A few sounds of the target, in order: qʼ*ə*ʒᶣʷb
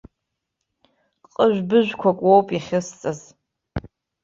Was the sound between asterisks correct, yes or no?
yes